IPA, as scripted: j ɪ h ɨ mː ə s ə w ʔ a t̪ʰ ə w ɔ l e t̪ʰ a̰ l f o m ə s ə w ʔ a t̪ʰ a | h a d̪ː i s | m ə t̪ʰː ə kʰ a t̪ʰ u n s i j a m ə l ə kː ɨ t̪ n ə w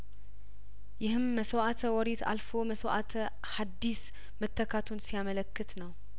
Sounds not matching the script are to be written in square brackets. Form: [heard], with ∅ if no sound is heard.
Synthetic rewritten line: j ɪ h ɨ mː ə s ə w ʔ a t̪ʰ ə w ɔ [ɾ] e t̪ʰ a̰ l f o m ə s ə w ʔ a t̪ʰ [ə] | h a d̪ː i s | m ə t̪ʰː ə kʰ a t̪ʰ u n s i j a m ə l ə kː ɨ t̪ n ə w

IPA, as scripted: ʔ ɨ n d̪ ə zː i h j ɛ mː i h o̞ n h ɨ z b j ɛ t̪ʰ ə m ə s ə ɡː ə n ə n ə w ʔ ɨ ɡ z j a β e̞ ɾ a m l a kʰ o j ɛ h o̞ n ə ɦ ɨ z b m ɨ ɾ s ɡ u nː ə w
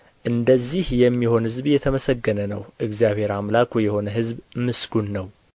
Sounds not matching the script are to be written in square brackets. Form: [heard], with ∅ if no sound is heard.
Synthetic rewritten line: ʔ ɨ n d̪ ə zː i h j ɛ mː i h o̞ n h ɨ z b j ɛ t̪ʰ ə m ə s ə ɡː ə n ə n ə w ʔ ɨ ɡ z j a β e̞ ɾ a m l a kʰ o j ɛ h o̞ n ə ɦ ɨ z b m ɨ [∅] s ɡ u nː ə w

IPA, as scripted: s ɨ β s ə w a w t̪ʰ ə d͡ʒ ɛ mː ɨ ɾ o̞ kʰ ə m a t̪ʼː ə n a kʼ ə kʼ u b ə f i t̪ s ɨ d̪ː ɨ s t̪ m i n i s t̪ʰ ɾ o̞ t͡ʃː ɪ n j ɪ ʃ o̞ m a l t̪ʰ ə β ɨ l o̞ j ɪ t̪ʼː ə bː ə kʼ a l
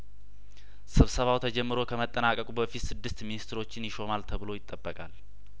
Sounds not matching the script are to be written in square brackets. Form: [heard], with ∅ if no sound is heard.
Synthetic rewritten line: s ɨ β s ə [β] a w t̪ʰ ə d͡ʒ ɛ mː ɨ ɾ o̞ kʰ ə m [ə] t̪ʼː ə n a kʼ ə kʼ u b ə f i t̪ s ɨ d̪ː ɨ s t̪ m i n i s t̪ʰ ɾ o̞ t͡ʃː ɪ n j ɪ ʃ o̞ m a l t̪ʰ ə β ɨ l o̞ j ɪ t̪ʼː ə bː ə kʼ a l

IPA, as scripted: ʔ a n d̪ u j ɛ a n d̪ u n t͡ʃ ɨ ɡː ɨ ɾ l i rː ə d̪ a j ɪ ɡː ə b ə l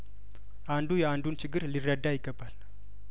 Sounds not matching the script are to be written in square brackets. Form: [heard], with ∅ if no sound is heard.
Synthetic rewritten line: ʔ a n d̪ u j ɛ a n d̪ u n t͡ʃ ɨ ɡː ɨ ɾ l i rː ə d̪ a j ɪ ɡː ə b [a] l

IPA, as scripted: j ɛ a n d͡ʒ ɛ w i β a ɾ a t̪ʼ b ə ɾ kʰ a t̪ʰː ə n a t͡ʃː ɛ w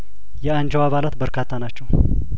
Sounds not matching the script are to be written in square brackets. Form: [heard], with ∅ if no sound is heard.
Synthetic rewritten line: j ɛ a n d͡ʒ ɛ w [a] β a [l] a [t̪] b ə ɾ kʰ a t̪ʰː [a] n a t͡ʃː ɛ w

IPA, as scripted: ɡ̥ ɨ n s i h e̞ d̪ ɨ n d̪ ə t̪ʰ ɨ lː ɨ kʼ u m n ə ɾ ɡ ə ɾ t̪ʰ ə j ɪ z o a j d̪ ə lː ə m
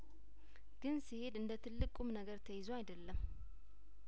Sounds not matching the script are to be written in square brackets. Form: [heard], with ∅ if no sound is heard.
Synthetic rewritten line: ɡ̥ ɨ n s i h e̞ d̪ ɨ n d̪ ə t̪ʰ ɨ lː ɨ kʼ u m n ə [∅] ɡ ə ɾ t̪ʰ ə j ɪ z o a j d̪ ə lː ə m

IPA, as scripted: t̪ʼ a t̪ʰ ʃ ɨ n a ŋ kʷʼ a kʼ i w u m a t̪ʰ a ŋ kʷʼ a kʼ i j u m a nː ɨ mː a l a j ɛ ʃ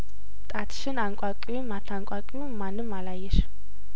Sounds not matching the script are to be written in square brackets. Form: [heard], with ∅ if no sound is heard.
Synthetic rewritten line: t̪ʼ a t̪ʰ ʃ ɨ n a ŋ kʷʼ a kʼ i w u m a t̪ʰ a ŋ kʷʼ a kʼ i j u m a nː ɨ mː a l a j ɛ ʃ

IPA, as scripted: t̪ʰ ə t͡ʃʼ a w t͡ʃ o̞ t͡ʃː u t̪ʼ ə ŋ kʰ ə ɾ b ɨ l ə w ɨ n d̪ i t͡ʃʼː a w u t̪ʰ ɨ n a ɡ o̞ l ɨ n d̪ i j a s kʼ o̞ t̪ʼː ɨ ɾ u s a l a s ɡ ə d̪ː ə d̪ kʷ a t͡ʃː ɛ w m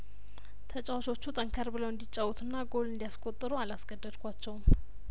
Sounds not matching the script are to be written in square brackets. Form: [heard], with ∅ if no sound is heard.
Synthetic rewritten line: t̪ʰ ə t͡ʃʼ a w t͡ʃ o̞ t͡ʃː u t̪ʼ ə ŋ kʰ ə ɾ b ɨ l ə w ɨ n d̪ i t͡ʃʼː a w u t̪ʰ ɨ [nː] a ɡ o̞ l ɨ n d̪ i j a s kʼ o̞ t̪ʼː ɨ ɾ u [∅] a l a s ɡ ə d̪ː ə d̪ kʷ a t͡ʃː ɛ w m

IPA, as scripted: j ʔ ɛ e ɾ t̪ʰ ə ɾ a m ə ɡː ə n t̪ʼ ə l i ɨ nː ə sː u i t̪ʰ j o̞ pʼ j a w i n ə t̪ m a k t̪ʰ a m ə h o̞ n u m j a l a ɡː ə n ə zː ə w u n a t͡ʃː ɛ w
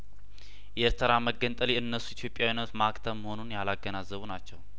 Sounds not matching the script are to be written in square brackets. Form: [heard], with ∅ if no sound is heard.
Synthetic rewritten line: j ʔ ɛ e ɾ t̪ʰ ə ɾ a m ə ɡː ə n t̪ʼ ə l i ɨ nː ə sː u i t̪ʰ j o̞ pʼ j a w i n ə t̪ m a k t̪ʰ [ə] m ə h o̞ n u [n] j a l a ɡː ə n [a] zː ə [β] u n a t͡ʃː ɛ w

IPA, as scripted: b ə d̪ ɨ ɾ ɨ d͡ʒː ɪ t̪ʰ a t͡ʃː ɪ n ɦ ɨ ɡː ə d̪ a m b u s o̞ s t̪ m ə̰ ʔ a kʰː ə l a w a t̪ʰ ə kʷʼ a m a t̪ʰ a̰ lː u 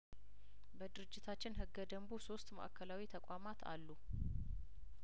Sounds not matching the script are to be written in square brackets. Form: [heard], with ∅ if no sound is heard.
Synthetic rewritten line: b ə d̪ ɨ ɾ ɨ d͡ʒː ɪ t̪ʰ a t͡ʃː ɪ n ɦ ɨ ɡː ə d̪ [ə] m b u s o̞ s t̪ m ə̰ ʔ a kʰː ə l a w [i] t̪ʰ ə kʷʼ a m a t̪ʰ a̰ lː u

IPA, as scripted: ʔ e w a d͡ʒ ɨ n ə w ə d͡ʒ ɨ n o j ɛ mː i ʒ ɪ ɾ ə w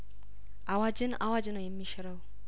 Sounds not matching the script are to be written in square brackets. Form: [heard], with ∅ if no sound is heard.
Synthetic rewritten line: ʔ [a] w a d͡ʒ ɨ n [a] w [a] d͡ʒ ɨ n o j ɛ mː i [ʃ] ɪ ɾ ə w

